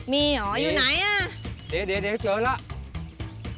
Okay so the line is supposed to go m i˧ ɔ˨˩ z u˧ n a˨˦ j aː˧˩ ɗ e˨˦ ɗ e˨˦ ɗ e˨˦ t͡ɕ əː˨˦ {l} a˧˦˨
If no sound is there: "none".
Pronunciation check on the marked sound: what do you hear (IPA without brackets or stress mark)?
l